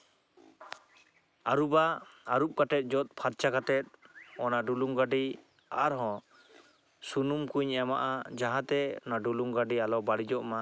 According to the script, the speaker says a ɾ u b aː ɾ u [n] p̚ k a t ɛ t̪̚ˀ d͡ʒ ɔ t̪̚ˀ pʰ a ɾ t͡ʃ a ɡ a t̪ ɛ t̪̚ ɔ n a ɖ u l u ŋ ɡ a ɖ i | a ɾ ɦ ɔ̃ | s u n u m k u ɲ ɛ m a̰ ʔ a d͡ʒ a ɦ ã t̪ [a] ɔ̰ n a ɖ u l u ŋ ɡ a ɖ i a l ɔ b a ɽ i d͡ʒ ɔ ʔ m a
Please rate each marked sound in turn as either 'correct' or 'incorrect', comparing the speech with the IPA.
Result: incorrect: none, incorrect: ɛ

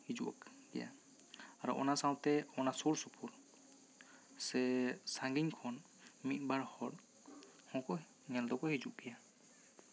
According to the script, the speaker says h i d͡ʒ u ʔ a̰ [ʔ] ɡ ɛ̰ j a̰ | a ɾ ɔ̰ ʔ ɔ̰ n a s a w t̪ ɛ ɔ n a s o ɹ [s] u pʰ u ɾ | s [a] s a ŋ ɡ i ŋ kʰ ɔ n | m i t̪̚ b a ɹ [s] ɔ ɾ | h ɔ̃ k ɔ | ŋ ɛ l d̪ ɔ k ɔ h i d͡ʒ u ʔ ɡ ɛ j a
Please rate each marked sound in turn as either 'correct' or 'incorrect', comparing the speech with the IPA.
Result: incorrect: k, correct, incorrect: ɛ, incorrect: h

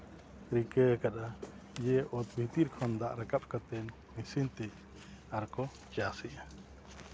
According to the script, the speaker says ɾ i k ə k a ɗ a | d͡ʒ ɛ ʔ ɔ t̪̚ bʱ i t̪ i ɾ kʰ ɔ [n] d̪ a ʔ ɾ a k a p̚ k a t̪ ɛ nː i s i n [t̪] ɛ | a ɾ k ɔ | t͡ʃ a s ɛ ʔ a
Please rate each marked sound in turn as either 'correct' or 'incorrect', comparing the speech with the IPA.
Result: correct, correct

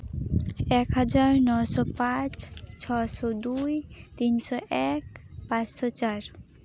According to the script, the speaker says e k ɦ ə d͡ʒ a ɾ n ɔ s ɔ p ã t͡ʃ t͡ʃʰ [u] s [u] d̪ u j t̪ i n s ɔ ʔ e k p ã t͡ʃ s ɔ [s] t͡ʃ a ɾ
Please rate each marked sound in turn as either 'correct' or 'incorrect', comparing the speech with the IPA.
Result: incorrect: ɔ, incorrect: ɔ, incorrect: none

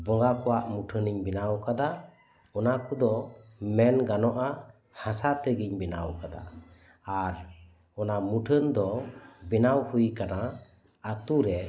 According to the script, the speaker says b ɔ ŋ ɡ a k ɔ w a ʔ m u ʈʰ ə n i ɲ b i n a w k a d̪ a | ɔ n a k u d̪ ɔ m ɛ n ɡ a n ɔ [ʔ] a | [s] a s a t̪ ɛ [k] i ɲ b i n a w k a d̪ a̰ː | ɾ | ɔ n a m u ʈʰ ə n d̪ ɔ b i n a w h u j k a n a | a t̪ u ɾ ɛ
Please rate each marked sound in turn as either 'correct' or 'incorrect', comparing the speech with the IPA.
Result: correct, incorrect: h, incorrect: ɡ

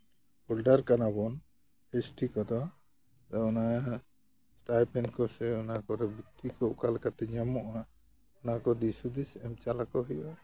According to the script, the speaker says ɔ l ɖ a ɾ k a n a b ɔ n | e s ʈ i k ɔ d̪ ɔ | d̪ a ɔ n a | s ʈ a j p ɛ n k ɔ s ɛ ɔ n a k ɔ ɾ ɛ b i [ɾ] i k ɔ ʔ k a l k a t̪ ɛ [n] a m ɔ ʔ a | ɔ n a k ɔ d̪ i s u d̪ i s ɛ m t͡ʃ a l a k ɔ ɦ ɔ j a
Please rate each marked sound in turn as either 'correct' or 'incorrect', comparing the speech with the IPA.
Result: incorrect: none, incorrect: ɲ

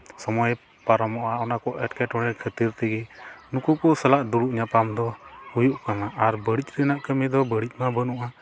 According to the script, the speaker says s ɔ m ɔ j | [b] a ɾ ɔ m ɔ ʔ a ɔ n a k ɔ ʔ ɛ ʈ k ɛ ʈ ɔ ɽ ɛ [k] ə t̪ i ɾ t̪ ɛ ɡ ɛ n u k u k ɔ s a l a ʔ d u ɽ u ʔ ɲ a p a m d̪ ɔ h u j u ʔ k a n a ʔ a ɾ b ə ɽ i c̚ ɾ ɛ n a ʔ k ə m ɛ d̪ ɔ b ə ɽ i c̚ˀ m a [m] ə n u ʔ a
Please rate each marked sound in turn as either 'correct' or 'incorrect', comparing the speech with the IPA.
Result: incorrect: p, incorrect: kʰ, incorrect: b

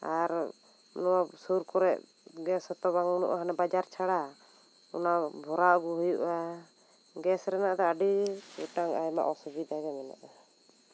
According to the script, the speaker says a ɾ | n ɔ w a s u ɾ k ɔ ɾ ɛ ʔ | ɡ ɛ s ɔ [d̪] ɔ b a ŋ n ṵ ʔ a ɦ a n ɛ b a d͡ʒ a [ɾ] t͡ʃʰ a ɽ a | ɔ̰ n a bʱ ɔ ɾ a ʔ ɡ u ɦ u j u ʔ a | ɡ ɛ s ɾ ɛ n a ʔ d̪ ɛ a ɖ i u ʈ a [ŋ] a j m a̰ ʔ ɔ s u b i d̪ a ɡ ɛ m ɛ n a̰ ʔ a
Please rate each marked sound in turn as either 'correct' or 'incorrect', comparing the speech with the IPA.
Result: incorrect: t̪, correct, correct

